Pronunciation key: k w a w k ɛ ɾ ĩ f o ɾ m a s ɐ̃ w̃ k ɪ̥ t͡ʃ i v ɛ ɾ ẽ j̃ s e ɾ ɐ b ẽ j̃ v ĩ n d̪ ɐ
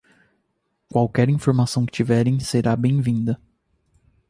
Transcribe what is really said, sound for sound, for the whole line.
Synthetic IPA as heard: k w a w k ɛ ɾ ĩ f o ɾ m a s ɐ̃ w̃ k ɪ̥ t͡ʃ i v ɛ ɾ ẽ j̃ s e ɾ a b ẽ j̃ v ĩ n d̪ ɐ